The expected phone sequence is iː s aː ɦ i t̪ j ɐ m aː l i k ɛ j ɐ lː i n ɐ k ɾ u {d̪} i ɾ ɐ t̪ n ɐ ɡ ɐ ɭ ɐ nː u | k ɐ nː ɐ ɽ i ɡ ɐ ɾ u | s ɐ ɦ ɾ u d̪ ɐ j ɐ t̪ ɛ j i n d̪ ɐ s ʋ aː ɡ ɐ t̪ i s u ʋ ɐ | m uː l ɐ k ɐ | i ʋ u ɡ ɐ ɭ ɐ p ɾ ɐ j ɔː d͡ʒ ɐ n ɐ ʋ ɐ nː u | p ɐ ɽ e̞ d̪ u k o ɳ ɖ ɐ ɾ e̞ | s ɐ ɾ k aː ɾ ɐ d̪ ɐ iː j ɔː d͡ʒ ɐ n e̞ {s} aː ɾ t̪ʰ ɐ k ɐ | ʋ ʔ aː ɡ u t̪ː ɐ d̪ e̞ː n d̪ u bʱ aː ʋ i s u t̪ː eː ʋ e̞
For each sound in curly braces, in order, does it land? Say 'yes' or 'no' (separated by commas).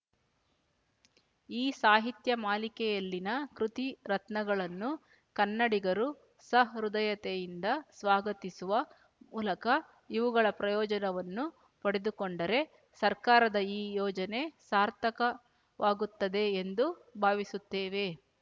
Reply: no, yes